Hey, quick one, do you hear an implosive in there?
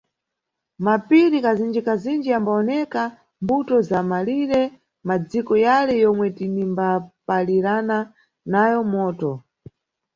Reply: no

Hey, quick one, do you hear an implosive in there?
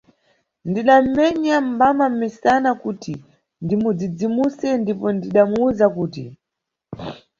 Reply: yes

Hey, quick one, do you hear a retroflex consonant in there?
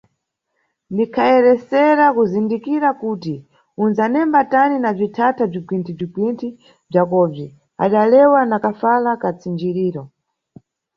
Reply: yes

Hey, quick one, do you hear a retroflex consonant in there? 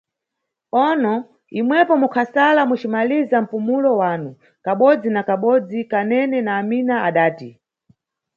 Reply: no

